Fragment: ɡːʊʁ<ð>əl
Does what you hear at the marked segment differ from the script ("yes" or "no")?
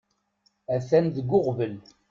yes